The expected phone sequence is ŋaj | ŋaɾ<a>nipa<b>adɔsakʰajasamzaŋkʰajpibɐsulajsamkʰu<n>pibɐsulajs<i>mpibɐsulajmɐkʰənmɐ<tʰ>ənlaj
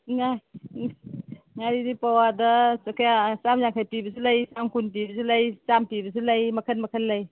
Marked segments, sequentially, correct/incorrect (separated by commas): incorrect, incorrect, correct, incorrect, incorrect